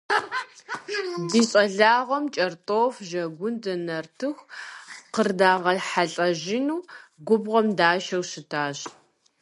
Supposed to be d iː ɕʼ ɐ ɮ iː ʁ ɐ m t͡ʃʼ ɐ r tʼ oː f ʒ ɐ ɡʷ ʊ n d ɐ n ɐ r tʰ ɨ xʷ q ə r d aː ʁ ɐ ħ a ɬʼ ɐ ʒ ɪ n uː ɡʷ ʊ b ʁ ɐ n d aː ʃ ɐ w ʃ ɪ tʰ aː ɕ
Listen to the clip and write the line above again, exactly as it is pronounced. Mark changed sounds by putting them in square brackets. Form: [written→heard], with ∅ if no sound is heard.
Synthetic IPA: d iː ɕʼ ɐ ɮ [iː→aː] ʁ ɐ m t͡ʃʼ ɐ r tʼ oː f ʒ ɐ ɡʷ ʊ n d ɐ n ɐ r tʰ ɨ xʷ q ə r d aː ʁ ɐ ħ a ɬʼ ɐ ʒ ɪ n uː ɡʷ ʊ b ʁ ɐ [n→m] d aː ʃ ɐ w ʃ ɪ tʰ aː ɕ